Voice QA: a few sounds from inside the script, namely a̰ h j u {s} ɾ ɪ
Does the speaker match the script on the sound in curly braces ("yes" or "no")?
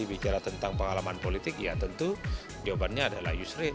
yes